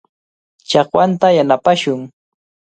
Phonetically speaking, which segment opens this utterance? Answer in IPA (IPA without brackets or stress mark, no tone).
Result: t͡ʃ